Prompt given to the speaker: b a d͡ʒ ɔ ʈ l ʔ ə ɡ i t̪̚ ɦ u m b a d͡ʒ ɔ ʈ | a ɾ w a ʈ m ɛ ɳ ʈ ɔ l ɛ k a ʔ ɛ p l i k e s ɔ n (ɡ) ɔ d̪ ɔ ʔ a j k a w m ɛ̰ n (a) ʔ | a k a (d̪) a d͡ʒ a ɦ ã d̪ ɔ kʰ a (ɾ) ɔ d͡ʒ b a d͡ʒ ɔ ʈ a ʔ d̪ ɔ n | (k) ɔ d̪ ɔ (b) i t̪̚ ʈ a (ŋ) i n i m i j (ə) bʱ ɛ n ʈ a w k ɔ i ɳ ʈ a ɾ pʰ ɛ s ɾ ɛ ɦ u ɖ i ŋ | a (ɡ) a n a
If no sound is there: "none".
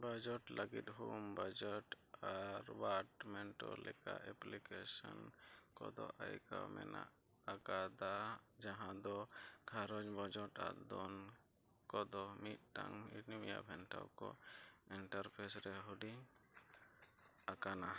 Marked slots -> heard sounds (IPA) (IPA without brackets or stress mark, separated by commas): k, a, d̪, ɾ, k, m, ŋ, a, k